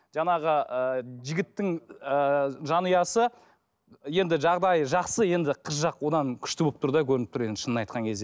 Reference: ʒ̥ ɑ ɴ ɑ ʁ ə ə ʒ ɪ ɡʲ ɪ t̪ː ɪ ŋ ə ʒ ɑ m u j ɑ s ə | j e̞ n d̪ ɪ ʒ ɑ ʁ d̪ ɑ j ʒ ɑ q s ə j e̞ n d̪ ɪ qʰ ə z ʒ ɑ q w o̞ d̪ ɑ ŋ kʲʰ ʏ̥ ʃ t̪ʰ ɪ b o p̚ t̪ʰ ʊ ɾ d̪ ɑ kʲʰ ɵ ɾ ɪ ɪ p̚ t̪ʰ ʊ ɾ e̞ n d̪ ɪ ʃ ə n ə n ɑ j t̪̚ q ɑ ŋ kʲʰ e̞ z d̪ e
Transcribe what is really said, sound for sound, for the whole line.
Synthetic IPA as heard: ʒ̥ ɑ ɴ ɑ ʁ ə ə ʒ ɪ ɡʲ ɪ t̪ː ɪ ŋ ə ʒ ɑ n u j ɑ s ə | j e̞ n d̪ ɪ ʒ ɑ ʁ d̪ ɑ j ʒ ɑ q s ə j e̞ n d̪ ɪ qʰ ə z ʒ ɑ q w o̞ d̪ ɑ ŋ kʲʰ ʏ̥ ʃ t̪ ɪ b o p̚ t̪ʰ ʊ ɾ d̪ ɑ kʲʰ ɵ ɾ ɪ ɪ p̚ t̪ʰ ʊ ɾ e̞ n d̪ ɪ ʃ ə n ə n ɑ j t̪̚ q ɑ ŋ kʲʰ e̞ z d̪ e